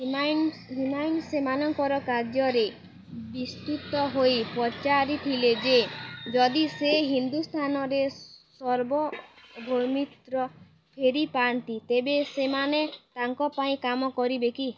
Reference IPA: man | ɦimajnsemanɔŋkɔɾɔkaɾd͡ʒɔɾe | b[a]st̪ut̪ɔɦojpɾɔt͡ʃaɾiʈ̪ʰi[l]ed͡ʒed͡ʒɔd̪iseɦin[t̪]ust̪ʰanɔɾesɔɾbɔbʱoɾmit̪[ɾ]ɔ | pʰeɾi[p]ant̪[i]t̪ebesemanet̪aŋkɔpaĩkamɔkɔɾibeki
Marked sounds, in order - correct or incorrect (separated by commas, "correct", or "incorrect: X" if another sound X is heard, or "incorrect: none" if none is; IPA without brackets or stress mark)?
incorrect: i, correct, incorrect: d̪, correct, correct, correct